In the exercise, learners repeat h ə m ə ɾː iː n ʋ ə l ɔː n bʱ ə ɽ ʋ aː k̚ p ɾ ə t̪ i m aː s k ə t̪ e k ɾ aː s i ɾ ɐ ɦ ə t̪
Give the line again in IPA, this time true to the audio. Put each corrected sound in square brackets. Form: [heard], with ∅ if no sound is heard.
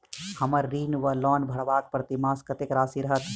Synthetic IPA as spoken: h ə m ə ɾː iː n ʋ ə l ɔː n bʱ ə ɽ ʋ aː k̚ p ɾ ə t̪ i m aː s k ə t̪ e k ɾ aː s i ɾ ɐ ɦ ə t̪